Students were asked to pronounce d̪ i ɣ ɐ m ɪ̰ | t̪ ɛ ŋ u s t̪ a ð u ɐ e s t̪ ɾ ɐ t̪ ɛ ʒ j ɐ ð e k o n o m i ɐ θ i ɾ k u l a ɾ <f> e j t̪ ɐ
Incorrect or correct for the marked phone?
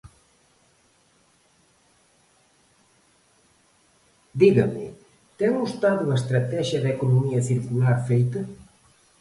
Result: correct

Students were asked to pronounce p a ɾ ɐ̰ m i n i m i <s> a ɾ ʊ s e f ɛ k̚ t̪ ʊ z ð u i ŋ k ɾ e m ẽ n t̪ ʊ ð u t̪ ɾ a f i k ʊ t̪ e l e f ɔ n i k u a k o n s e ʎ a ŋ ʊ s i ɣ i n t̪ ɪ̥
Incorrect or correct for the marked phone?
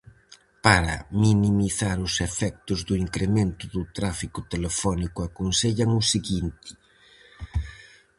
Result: incorrect: θ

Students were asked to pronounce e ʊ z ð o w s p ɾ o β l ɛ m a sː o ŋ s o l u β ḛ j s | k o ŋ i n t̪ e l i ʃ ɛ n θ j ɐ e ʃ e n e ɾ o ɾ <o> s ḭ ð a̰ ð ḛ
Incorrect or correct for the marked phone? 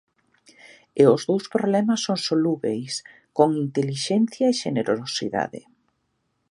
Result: correct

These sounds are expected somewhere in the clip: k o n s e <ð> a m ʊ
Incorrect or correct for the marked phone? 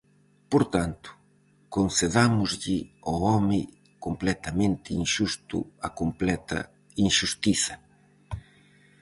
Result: correct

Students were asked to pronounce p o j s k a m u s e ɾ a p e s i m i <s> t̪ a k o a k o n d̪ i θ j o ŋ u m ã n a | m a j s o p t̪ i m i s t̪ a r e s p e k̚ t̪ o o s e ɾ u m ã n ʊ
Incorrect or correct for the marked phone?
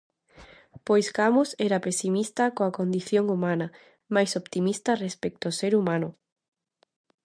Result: correct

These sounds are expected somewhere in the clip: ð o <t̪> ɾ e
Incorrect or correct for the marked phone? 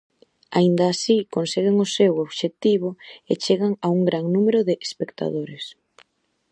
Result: incorrect: none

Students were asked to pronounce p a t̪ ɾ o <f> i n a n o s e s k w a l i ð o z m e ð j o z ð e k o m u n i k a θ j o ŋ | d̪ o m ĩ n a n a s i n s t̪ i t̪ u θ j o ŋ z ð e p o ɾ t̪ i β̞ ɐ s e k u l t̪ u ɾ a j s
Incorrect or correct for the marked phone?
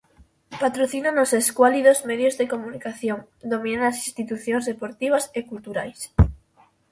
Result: incorrect: θ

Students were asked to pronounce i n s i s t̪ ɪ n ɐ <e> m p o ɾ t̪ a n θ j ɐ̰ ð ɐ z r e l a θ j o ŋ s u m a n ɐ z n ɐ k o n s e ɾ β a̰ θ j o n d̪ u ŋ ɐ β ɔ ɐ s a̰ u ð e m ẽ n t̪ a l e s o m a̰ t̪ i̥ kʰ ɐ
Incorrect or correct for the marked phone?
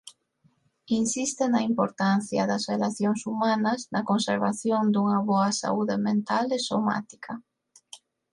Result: incorrect: i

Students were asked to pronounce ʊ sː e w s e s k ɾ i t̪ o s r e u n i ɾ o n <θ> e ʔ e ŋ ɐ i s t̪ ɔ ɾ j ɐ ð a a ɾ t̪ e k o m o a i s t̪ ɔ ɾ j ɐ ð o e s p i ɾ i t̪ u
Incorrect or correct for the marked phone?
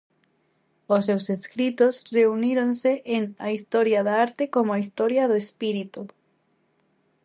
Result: incorrect: s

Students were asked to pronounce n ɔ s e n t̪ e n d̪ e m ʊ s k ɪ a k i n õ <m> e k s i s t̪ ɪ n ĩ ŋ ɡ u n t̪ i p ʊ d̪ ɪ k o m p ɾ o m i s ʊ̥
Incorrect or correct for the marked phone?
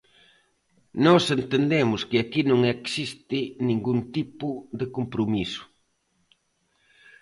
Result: incorrect: ŋ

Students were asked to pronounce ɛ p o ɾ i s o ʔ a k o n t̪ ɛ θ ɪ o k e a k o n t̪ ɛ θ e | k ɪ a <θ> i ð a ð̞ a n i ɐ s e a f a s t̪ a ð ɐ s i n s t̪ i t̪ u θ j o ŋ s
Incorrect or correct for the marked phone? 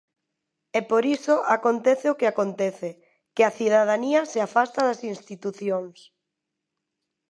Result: correct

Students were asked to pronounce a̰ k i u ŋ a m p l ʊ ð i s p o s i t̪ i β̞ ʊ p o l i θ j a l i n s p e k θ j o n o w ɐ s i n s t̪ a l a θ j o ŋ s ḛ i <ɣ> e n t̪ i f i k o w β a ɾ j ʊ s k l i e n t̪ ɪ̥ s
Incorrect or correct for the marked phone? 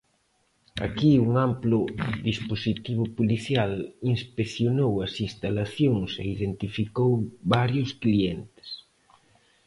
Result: incorrect: ð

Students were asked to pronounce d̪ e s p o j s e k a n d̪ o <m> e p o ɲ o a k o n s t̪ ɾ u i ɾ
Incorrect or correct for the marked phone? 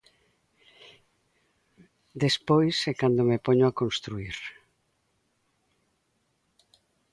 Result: correct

